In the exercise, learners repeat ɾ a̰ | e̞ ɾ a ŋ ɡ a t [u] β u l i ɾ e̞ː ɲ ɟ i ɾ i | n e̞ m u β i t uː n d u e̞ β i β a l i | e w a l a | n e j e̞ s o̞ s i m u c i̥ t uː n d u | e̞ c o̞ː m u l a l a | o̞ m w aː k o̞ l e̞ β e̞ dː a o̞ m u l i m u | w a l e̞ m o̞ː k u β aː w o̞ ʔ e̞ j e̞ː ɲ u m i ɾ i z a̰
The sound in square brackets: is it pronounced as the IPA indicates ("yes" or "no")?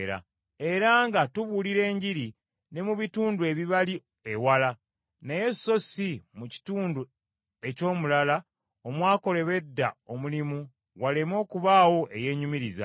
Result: yes